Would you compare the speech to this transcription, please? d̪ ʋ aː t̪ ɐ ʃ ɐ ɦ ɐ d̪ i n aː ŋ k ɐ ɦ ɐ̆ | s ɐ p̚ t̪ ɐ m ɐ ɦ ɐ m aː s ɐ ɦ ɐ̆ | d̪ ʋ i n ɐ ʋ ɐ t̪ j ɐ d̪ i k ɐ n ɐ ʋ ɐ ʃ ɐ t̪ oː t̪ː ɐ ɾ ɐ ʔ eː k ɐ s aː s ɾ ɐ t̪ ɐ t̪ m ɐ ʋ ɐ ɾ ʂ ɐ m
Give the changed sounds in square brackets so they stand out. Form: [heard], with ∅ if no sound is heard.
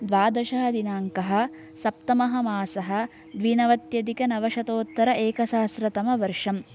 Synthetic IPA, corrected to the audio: d̪ ʋ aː [d̪] ɐ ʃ ɐ ɦ ɐ d̪ i n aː ŋ k ɐ ɦ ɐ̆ | s ɐ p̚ t̪ ɐ m ɐ ɦ ɐ m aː s ɐ ɦ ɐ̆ | d̪ ʋ i n ɐ ʋ ɐ t̪ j ɐ d̪ i k ɐ n ɐ ʋ ɐ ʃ ɐ t̪ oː t̪ː ɐ ɾ ɐ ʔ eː k ɐ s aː s ɾ ɐ t̪ ɐ [∅] m ɐ ʋ ɐ ɾ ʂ ɐ m